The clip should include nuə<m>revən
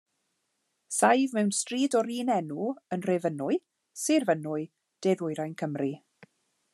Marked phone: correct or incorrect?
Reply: incorrect